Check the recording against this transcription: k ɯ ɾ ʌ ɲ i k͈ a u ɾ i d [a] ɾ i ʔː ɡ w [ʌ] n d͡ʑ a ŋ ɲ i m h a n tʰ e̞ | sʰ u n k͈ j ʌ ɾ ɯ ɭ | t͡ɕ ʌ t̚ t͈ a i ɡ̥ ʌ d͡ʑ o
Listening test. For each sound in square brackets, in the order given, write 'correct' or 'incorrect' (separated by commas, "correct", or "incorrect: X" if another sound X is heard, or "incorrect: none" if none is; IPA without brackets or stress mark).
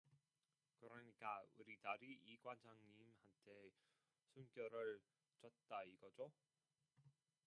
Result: correct, incorrect: a